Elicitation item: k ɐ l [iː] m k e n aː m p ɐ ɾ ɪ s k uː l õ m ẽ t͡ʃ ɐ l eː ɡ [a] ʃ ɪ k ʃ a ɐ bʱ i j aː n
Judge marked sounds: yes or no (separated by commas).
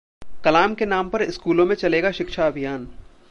no, yes